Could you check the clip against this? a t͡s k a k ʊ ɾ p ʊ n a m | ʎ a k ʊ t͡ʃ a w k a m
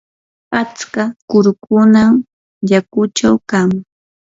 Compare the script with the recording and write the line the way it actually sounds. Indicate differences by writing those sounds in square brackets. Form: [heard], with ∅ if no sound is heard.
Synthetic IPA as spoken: a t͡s k a k ʊ ɾ [k] ʊ n a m | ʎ a k ʊ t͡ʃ a w k a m